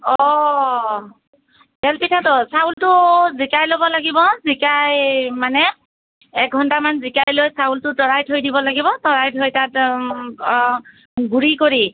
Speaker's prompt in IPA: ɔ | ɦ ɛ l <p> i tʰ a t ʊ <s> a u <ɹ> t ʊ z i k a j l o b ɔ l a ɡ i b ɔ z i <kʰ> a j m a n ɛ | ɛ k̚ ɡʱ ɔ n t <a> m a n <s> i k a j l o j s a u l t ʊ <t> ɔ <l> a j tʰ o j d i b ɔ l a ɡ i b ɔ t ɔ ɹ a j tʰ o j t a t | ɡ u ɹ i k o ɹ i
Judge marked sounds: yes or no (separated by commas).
yes, yes, no, no, yes, no, yes, no